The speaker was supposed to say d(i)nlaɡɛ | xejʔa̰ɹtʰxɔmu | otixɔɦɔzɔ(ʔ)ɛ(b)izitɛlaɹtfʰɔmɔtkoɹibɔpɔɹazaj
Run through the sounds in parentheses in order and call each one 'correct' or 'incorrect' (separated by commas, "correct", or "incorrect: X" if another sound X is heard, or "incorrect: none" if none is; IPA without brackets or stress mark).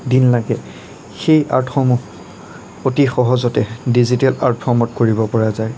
correct, incorrect: t, incorrect: d